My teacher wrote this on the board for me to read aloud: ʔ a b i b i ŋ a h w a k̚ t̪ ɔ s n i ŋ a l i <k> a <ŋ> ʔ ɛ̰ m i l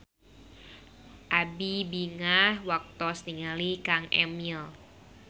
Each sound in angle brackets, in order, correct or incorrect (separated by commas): correct, correct